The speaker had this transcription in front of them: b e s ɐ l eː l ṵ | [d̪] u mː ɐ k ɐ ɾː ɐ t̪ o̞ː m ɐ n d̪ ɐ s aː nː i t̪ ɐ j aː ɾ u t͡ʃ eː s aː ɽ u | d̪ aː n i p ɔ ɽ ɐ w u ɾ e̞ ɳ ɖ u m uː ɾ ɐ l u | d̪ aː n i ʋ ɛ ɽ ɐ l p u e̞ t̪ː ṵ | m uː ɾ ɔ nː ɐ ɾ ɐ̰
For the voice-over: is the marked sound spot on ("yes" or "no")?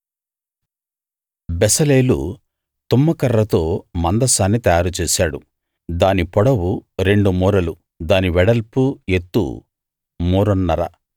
no